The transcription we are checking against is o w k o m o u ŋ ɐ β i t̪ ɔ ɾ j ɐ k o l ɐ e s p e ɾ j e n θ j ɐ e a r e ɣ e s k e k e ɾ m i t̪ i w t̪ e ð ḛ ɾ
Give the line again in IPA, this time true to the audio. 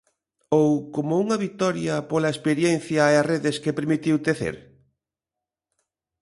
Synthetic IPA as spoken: o w k o m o u ŋ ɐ β i t̪ ɔ ɾ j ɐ p o l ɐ e s p e ɾ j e n θ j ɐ e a r e ð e s k e p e ɾ m i t̪ i w t̪ e θ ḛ ɾ